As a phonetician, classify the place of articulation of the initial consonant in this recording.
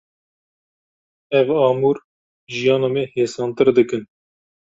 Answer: labial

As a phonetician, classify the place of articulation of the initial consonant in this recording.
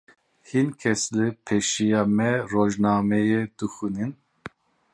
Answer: glottal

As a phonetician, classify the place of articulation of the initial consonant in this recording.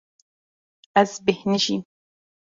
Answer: glottal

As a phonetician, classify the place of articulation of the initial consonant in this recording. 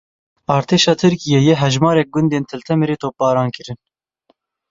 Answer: alveolar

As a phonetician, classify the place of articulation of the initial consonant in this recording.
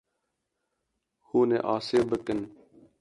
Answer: glottal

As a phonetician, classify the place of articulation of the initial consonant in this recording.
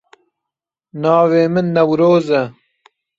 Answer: alveolar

